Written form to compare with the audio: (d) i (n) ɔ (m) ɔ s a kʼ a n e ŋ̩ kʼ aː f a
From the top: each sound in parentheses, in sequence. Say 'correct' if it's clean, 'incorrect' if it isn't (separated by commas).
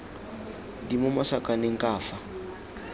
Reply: correct, incorrect, correct